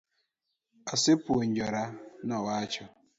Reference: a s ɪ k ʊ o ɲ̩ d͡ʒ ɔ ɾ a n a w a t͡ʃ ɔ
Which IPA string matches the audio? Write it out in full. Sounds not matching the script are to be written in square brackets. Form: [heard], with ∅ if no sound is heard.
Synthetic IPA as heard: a s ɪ [p] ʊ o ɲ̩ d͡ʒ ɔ ɾ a n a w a t͡ʃ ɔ